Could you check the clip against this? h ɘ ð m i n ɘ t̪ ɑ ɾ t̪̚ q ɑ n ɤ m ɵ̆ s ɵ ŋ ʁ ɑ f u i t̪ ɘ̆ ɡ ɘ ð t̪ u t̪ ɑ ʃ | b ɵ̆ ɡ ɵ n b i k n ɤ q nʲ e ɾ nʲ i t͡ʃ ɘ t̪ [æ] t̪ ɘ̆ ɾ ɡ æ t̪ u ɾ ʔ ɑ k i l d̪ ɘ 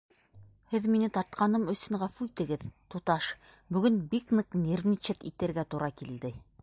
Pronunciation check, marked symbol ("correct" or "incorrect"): incorrect